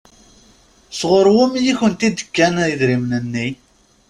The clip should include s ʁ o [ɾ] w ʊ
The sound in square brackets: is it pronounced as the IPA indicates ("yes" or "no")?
yes